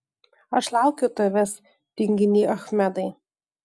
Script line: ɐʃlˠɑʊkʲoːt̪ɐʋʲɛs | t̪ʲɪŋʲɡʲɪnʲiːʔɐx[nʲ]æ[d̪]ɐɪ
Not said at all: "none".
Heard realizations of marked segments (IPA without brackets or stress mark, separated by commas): mʲ, d̪